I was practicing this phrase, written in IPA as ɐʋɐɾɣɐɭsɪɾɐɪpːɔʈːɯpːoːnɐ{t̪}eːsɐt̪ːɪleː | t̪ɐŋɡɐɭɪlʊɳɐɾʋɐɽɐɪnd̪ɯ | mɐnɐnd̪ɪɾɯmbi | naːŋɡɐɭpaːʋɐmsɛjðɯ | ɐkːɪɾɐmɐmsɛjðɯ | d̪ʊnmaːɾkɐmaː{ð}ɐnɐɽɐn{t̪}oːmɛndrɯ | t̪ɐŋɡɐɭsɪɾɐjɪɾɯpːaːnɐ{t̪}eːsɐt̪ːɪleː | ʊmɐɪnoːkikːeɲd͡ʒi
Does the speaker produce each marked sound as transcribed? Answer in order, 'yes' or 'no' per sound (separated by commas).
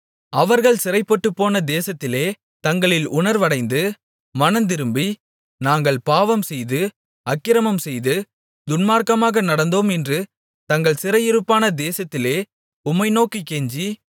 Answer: no, no, no, no